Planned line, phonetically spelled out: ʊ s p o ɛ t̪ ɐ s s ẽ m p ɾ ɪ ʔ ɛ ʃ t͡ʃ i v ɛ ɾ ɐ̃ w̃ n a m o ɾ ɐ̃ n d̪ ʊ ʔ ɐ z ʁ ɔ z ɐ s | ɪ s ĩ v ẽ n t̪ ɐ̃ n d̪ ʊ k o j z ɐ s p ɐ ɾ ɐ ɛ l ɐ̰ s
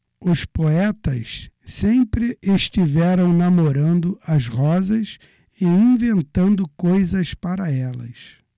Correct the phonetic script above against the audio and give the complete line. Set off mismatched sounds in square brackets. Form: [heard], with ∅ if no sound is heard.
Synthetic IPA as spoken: ʊ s p o ɛ t̪ ɐ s s ẽ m p ɾ ɪ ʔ [e] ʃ t͡ʃ i v ɛ ɾ ɐ̃ w̃ n a m o ɾ ɐ̃ n d̪ ʊ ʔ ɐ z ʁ ɔ z ɐ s | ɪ [∅] ĩ v ẽ n t̪ ɐ̃ n d̪ ʊ k o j z ɐ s p [a] ɾ ɐ ɛ l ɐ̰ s